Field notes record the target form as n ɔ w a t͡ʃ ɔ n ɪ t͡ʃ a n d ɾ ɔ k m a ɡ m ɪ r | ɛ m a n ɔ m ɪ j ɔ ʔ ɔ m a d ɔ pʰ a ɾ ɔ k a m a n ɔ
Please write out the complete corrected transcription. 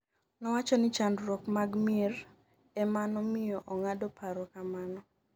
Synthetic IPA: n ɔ w a t͡ʃ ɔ n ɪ t͡ʃ a n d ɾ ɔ k m a ɡ m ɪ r | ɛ m a n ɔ m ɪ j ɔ ʔ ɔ ŋ a d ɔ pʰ a ɾ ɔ k a m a n ɔ